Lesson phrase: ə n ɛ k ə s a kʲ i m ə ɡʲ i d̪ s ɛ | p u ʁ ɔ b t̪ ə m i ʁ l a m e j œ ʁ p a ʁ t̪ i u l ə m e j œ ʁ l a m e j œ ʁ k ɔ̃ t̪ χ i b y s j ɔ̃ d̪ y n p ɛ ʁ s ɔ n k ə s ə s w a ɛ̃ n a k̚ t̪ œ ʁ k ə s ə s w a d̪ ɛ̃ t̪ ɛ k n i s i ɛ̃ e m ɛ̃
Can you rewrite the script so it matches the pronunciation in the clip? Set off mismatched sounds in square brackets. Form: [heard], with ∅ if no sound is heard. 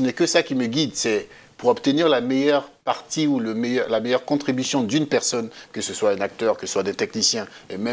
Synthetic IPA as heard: ə n ɛ k ə s a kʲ i m ə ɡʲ i d̪ s ɛ | p u ʁ ɔ b t̪ ə [n] i ʁ l a m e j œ ʁ p a ʁ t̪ i u l ə m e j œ ʁ l a m e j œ ʁ k ɔ̃ t̪ χ i b y s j ɔ̃ d̪ y n p ɛ ʁ s ɔ n k ə s ə s w a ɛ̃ n a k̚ t̪ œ ʁ k ə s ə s w a d̪ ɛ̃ t̪ ɛ k n i s [j] ɛ̃ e m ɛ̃

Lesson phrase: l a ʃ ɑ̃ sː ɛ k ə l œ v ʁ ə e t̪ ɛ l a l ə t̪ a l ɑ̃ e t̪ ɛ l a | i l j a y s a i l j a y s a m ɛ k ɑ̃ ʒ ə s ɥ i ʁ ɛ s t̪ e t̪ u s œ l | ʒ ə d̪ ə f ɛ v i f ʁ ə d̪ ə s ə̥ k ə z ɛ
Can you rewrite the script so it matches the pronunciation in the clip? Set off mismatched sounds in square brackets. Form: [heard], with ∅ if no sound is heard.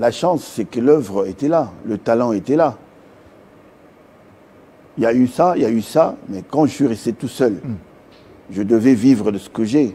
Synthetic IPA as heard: l a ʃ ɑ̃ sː ɛ k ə l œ v ʁ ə e t̪ ɛ l a l ə t̪ a l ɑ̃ e t̪ ɛ l a | i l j a y s a i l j a y s a m ɛ k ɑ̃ ʒ ə s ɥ i ʁ ɛ s t̪ e t̪ u s œ l | ʒ ə d̪ ə [v] ɛ v i [v] ʁ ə d̪ ə s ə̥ k ə [ʒ] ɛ

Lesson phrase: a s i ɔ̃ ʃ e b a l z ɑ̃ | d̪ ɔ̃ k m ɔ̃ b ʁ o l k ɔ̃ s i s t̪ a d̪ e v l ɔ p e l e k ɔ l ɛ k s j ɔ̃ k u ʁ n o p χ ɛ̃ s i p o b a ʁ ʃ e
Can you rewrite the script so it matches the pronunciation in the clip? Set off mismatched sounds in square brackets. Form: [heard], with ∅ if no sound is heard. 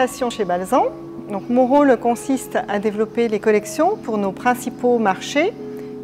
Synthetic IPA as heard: a s [j] ɔ̃ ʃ e b a l z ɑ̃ | d̪ ɔ̃ k m ɔ̃ [∅] ʁ o l k ɔ̃ s i s t̪ a d̪ e v l ɔ p e l e k ɔ l ɛ k s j ɔ̃ [p] u ʁ n o p χ ɛ̃ s i p o [m] a ʁ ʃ e

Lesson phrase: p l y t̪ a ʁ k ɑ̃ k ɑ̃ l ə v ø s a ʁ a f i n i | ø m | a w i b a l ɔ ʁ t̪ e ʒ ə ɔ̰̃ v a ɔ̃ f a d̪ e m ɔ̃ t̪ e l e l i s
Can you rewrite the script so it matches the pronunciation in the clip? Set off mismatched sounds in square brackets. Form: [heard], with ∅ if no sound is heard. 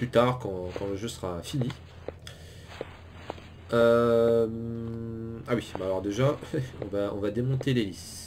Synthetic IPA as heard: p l y t̪ a ʁ k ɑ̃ k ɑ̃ l ə [ʒ] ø s [ə] ʁ a f i n i | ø m | a w i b a l ɔ ʁ [d̪] e ʒ [a] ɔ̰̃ v a ɔ̃ [v] a d̪ e m ɔ̃ t̪ e l e l i s

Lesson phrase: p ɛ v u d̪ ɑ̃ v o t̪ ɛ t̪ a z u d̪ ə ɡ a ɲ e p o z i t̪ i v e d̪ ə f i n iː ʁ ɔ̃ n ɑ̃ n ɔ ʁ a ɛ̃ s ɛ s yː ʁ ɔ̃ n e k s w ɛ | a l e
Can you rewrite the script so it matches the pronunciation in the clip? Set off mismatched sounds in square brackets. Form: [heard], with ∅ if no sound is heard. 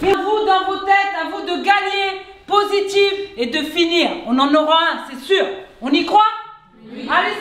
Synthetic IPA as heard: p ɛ v u d̪ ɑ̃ v o t̪ ɛ t̪ a [v] u d̪ ə ɡ a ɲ e p o z i t̪ i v e d̪ ə f i n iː ʁ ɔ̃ n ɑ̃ n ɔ ʁ a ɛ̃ s ɛ s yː ʁ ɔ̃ n [i] k [χ] w [a] | a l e

